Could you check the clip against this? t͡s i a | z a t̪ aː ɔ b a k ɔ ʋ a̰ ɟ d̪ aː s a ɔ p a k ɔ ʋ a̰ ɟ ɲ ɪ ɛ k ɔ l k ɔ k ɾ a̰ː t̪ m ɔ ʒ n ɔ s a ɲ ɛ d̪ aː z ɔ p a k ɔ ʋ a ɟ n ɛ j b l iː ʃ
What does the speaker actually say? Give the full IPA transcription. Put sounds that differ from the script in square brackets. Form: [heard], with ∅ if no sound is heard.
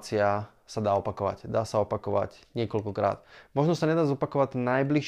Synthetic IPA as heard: t͡s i a | [s] a [d̪] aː ɔ [p] a k ɔ ʋ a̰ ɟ d̪ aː s a ɔ p a k ɔ ʋ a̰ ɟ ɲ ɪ ɛ k ɔ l k ɔ k ɾ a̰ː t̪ m ɔ ʒ n ɔ s a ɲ ɛ d̪ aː z ɔ p a k ɔ ʋ a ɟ n [a] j b l [i] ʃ